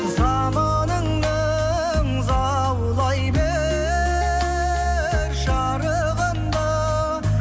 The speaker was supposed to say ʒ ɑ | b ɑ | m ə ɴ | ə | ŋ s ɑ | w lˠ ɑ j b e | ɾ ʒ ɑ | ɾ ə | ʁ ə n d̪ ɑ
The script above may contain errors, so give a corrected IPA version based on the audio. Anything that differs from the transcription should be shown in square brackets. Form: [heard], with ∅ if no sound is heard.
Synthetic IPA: [z] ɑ | [m] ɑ | [n] ə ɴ | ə | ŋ [z] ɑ | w lˠ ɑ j b e | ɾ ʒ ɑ | ɾ ə | ʁ ə n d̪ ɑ